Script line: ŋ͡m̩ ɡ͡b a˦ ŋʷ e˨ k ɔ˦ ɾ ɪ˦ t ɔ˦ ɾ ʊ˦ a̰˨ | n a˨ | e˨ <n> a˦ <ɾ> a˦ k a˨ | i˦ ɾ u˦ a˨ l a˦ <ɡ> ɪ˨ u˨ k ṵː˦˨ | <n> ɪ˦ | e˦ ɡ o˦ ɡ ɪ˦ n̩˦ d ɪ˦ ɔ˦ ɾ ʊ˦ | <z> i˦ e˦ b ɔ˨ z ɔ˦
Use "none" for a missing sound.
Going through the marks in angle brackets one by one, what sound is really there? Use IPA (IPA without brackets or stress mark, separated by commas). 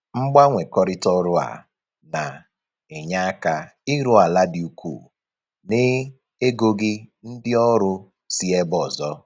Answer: ɲ, none, d, n, s